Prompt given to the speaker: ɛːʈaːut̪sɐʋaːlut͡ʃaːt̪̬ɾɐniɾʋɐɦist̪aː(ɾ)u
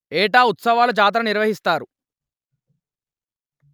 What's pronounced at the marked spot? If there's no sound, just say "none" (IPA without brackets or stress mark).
ɾ